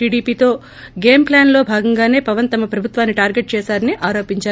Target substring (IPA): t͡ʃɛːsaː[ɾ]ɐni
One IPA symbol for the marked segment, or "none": ɾ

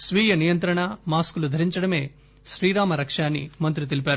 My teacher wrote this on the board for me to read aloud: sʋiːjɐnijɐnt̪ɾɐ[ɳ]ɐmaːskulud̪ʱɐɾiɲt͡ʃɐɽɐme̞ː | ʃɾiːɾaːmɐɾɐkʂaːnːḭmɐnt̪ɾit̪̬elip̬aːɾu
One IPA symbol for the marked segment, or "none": ɳ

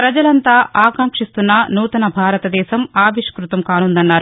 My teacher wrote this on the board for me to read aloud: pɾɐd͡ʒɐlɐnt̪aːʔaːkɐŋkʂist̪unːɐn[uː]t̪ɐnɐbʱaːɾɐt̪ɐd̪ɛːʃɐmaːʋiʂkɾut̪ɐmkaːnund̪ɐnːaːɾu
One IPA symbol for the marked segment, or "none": uː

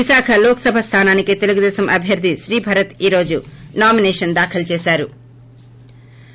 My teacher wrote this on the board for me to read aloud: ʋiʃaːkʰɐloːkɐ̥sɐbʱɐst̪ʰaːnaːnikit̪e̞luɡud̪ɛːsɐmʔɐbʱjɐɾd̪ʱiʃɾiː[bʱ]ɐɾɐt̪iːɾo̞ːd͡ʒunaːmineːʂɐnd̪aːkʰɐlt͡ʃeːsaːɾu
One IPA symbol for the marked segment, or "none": bʱ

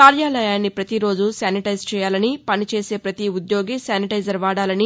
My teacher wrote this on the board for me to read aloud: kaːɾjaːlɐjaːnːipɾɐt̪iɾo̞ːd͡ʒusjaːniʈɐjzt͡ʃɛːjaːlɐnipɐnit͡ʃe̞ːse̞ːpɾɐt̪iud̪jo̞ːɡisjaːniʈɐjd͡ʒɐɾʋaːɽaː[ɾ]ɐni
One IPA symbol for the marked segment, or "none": l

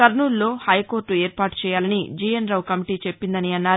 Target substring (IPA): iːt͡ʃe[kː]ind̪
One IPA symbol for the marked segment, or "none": pː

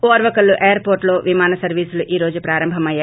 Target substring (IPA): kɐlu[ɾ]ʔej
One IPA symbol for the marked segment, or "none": none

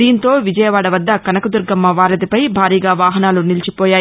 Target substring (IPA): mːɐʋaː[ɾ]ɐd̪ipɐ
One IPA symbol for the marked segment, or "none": ɾ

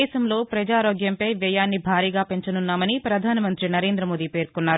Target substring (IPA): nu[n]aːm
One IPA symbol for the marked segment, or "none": nː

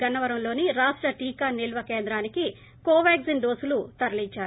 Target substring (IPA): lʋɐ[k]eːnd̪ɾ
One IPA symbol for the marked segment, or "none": k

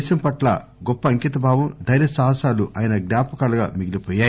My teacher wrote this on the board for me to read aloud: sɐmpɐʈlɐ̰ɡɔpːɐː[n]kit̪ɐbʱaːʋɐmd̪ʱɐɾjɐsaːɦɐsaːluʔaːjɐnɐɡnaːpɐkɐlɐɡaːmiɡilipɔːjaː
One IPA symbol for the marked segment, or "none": ŋ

